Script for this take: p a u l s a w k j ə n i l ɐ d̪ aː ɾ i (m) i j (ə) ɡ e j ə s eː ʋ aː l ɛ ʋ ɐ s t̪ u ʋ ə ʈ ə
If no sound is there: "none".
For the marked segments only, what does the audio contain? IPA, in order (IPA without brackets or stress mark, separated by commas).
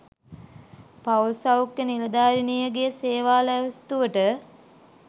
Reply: n, ə